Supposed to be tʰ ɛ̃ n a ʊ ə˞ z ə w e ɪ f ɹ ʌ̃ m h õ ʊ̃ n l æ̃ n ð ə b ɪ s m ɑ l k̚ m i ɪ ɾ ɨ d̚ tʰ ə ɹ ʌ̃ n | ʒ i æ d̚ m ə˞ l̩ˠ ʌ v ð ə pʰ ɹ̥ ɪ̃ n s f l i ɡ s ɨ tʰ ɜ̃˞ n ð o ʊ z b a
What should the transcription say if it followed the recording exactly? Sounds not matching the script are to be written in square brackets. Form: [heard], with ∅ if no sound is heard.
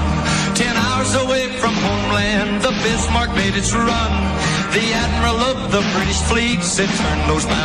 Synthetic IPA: tʰ ɛ̃ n a ʊ ə˞ z ə w e ɪ f ɹ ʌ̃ m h õ ʊ̃ [m] l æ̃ n ð ə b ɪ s m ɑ [ɹ] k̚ m [e] ɪ ɾ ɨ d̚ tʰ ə ɹ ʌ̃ n | [ð] i æ d̚ m ə˞ l̩ˠ ʌ v ð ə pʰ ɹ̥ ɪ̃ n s f l i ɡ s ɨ tʰ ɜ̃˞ n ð o ʊ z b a